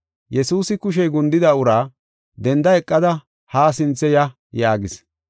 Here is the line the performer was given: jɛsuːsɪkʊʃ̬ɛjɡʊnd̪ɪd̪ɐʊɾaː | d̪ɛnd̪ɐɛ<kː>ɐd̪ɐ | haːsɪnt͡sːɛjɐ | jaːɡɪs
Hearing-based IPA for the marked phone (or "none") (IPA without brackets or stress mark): kʼː